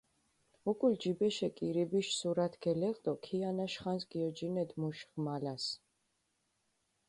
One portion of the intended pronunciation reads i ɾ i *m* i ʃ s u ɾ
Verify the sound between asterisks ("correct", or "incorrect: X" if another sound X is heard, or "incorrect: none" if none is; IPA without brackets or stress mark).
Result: incorrect: b